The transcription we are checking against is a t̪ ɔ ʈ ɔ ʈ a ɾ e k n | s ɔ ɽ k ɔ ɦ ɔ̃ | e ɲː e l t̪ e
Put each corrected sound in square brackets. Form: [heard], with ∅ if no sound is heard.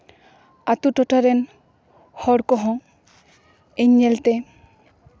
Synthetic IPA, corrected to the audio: a t̪ [u] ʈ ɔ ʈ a ɾ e [∅] n | [h] ɔ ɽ k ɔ ɦ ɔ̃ | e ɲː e l t̪ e